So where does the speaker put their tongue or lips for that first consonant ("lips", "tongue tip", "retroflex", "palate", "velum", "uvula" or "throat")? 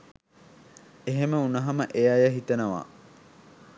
throat